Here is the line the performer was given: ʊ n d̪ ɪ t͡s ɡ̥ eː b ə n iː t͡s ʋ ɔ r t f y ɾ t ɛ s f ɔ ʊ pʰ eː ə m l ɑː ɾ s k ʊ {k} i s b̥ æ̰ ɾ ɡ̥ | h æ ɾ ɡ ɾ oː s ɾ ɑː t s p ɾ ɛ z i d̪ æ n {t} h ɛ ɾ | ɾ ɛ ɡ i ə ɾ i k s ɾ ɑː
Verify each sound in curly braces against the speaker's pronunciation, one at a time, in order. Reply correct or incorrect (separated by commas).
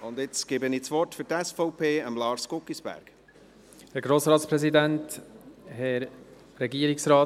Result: correct, correct